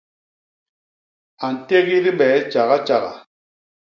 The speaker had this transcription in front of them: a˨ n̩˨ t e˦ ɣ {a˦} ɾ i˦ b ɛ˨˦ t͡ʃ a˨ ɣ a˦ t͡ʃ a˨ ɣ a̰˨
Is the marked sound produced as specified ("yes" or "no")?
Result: no